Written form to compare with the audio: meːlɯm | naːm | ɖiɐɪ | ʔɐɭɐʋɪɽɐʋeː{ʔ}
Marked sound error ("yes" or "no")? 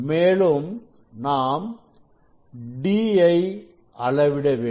yes